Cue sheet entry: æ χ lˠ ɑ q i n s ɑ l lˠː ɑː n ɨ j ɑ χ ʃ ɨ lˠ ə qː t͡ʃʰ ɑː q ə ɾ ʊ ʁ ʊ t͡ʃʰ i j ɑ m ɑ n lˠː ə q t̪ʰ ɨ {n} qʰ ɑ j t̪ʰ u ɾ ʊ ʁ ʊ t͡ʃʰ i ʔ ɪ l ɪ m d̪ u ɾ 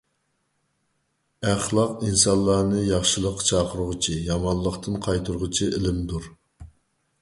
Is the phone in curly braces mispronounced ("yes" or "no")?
no